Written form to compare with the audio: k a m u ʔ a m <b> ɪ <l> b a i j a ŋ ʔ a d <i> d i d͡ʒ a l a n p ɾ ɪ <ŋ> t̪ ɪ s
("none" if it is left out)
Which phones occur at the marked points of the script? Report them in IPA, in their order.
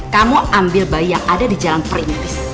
b, l, a, n

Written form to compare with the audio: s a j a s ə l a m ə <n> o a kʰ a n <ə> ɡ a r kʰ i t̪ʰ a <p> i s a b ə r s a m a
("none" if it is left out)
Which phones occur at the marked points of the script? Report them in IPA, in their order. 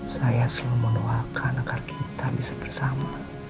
n, a, b

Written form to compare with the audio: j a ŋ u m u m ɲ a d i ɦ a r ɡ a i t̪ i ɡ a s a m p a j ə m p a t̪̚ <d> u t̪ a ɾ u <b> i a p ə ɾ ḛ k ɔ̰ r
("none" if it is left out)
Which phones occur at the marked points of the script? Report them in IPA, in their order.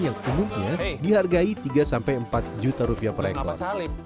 d͡ʒ, p

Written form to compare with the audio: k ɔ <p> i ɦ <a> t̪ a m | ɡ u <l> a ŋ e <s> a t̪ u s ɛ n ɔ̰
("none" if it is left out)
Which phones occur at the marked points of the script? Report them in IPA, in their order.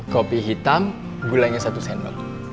p, i, l, s

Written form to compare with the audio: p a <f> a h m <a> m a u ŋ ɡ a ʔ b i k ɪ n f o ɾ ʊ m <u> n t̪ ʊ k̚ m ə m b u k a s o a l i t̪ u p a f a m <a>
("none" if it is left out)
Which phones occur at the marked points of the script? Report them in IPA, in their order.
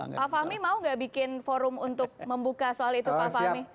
f, i, u, i

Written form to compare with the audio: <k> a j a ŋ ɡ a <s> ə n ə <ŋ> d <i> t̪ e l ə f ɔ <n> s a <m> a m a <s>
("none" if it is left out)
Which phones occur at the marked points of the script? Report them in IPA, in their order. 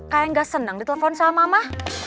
k, s, ŋ, i, n, m, h

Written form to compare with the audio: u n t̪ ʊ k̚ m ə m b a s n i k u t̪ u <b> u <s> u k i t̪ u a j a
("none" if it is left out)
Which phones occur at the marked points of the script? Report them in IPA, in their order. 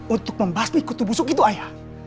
b, s

